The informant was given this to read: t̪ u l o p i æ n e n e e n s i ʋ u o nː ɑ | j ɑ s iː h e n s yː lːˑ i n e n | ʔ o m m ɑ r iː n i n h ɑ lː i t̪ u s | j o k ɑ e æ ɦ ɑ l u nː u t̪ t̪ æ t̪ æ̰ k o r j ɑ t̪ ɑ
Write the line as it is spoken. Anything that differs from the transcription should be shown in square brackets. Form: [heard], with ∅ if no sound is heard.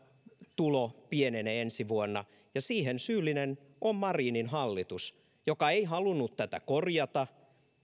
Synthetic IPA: t̪ u l o p i [e] n e n e e n s i ʋ u o nː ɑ | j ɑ s iː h e n s yː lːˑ i n e n | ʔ o m m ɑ r iː n i n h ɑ lː i t̪ u s | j o k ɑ e [i] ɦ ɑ l u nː u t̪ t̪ æ t̪ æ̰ k o r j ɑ t̪ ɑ